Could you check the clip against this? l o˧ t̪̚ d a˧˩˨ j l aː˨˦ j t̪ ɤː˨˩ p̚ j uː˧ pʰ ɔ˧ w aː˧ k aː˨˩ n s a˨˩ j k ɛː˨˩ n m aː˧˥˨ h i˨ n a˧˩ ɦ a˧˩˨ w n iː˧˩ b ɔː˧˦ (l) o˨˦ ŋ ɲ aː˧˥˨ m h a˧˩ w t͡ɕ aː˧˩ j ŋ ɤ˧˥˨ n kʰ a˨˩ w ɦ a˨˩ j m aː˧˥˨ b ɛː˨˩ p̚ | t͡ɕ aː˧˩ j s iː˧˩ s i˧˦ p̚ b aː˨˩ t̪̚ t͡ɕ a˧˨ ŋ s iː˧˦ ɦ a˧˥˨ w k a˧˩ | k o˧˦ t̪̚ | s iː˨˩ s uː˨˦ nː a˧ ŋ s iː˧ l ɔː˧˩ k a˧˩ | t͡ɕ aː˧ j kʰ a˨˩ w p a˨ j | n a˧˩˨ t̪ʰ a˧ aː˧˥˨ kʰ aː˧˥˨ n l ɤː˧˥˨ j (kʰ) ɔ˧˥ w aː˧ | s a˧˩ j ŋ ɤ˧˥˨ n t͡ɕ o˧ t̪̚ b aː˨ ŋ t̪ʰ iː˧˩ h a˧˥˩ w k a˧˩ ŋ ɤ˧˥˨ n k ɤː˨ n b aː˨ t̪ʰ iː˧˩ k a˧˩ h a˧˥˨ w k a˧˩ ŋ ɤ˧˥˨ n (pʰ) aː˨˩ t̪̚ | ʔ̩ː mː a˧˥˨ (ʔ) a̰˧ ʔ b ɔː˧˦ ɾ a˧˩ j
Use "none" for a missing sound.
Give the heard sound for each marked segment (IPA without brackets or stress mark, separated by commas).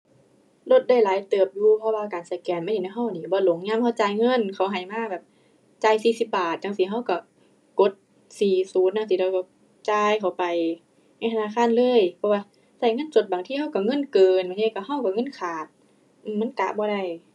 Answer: l, pʰ, kʰ, k